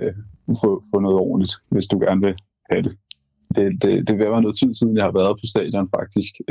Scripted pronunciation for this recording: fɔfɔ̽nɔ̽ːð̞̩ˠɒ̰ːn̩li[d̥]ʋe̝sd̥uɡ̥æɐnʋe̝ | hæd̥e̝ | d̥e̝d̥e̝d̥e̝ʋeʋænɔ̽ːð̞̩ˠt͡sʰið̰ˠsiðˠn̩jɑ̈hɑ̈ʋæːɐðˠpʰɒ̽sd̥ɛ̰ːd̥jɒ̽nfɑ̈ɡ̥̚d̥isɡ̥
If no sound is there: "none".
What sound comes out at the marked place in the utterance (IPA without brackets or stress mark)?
d̥